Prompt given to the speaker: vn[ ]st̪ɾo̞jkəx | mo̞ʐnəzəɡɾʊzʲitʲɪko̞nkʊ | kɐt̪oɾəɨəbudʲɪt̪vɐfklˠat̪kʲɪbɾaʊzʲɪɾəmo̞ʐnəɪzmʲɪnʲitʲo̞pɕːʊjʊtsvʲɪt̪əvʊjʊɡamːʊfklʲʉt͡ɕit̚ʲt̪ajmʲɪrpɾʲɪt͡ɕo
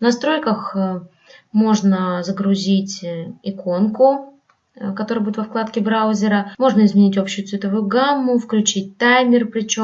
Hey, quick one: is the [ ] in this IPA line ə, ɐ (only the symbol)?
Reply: ɐ